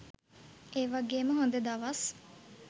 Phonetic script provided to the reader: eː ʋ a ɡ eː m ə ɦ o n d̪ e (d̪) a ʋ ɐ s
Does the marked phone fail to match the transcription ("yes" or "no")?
no